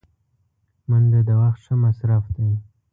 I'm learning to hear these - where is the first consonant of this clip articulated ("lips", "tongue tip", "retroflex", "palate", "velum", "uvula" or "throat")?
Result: lips